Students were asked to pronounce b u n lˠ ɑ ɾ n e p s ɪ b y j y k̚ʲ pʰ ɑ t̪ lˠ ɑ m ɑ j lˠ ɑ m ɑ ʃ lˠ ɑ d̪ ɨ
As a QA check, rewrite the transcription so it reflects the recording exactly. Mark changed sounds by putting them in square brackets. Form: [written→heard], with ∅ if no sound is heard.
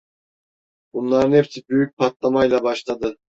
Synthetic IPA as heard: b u n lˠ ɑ ɾ n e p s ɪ b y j y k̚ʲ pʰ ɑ t̪ lˠ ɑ m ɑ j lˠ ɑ [m→b] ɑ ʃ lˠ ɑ d̪ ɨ